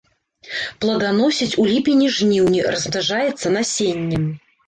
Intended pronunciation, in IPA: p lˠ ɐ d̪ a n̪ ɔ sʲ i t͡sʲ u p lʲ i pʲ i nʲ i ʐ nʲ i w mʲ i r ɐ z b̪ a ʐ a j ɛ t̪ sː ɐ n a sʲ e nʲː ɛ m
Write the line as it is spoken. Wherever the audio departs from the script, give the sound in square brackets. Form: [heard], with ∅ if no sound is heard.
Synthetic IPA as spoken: p lˠ ɐ d̪ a n̪ ɔ sʲ i t͡sʲ u [∅] lʲ i pʲ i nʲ i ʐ nʲ i w [nʲ] i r ɐ z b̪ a ʐ a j ɛ t̪ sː ɐ n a sʲ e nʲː ɛ m